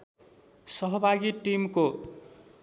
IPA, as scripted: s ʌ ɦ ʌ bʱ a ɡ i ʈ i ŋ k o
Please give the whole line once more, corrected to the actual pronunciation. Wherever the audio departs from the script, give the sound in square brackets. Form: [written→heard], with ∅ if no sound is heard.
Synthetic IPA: s ʌ ɦ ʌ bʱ a ɡ i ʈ i [ŋ→m] k o